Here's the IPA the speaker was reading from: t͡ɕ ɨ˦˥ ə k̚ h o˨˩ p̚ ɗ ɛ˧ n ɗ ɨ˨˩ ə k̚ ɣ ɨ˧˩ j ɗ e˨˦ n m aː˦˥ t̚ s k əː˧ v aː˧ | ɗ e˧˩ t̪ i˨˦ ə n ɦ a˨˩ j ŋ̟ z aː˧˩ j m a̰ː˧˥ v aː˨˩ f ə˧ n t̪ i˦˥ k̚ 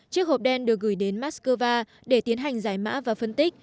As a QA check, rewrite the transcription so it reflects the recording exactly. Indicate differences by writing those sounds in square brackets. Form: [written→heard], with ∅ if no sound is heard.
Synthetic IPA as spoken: t͡ɕ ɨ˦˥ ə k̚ h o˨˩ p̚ ɗ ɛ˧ n ɗ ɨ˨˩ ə k̚ ɣ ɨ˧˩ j ɗ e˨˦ n m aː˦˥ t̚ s k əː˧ v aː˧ | ɗ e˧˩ t̪ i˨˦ ə n ɦ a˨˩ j ŋ̟ z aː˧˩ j m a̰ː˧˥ v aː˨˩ f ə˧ n t̪ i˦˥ k̚

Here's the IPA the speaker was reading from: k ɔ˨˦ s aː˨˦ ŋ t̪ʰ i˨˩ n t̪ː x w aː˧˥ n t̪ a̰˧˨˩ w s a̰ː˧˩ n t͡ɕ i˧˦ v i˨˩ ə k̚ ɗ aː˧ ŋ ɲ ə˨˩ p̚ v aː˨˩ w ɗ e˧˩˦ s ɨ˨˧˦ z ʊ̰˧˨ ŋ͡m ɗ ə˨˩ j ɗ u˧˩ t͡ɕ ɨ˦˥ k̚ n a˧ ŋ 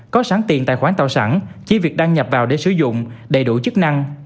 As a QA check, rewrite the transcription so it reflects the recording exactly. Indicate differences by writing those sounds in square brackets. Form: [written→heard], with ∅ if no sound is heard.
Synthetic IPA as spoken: k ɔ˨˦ s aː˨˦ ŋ [t̪ʰ→t̪] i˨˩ n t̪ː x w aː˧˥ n t̪ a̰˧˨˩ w s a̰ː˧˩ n t͡ɕ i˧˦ v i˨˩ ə k̚ ɗ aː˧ ŋ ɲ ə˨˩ p̚ v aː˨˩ w ɗ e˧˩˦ s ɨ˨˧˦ z ʊ̰˧˨ ŋ͡m ɗ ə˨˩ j ɗ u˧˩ t͡ɕ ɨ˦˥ k̚ n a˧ ŋ

